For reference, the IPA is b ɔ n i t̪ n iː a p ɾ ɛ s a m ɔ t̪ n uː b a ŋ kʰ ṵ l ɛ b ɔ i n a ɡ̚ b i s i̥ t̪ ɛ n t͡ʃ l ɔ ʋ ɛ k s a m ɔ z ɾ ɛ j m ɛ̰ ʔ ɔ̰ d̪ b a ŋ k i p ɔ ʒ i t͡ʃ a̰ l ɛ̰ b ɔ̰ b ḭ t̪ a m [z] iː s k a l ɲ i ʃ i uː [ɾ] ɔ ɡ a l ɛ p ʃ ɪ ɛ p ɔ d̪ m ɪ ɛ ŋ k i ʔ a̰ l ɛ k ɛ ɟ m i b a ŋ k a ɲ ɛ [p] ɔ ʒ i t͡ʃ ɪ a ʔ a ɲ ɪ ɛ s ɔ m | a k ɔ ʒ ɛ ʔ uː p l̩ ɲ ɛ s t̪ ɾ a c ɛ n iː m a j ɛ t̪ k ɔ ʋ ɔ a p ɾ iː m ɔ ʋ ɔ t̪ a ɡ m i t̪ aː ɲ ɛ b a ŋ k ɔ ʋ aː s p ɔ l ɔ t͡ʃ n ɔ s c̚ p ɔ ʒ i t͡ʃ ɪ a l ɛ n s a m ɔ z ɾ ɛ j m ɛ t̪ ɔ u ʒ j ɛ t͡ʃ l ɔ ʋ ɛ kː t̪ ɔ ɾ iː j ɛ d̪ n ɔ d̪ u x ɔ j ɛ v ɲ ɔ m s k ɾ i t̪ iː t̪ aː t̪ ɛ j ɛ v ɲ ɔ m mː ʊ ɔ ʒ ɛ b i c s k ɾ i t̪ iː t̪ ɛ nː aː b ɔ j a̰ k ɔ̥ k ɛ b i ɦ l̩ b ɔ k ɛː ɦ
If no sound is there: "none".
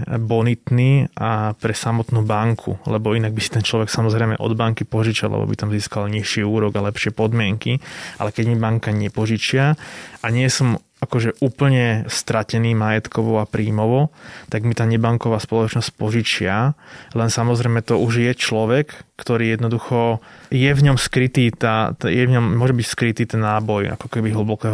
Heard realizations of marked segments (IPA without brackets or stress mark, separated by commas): z, ɾ, p